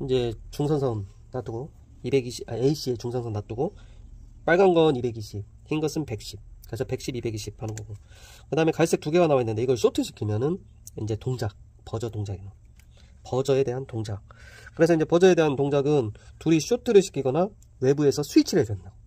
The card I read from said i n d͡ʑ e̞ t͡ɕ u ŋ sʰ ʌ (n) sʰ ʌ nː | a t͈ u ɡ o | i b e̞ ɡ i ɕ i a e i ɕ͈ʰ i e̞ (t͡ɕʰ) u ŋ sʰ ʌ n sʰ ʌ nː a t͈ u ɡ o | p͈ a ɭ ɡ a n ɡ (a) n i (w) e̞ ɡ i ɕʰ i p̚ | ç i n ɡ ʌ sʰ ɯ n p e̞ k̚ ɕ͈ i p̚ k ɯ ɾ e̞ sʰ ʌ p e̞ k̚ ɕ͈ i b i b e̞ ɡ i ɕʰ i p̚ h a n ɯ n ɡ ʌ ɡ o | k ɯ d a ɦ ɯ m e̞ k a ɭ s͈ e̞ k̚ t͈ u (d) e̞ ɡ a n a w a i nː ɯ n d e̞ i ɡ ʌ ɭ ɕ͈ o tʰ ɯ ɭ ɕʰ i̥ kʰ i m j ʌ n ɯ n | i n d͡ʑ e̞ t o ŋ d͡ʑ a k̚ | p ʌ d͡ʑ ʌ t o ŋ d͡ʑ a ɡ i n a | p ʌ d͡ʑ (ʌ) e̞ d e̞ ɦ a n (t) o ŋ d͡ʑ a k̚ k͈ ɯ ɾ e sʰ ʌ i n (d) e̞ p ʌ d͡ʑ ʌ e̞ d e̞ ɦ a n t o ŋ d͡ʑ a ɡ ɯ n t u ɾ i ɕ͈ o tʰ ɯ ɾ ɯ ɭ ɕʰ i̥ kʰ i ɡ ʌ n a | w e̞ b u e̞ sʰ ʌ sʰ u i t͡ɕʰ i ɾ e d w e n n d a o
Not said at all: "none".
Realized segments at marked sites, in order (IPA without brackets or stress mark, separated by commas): n, t͡ɕ, ʌ, b, ɡ, ʌ, t, d͡ʑ